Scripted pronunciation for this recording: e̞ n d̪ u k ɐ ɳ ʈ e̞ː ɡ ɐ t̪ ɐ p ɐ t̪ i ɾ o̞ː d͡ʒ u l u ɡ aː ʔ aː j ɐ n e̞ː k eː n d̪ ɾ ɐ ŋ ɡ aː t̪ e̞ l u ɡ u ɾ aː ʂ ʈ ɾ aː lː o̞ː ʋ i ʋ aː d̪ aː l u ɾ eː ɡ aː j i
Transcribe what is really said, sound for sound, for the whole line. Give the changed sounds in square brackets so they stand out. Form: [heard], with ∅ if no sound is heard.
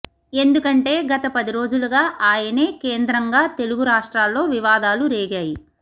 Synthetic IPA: e̞ n d̪ u k ɐ ɳ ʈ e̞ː ɡ ɐ t̪ ɐ p ɐ [d̪] i ɾ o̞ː d͡ʒ u l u ɡ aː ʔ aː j ɐ n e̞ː k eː n d̪ ɾ ɐ ŋ ɡ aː t̪ e̞ l u ɡ u ɾ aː ʂ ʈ ɾ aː lː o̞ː ʋ i ʋ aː d̪ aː l u ɾ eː ɡ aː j i